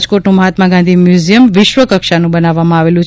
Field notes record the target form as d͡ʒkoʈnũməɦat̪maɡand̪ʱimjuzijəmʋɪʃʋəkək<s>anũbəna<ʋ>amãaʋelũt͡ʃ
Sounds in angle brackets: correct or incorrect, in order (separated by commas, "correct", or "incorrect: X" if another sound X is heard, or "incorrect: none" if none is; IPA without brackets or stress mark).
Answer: incorrect: ʃ, incorrect: ʋː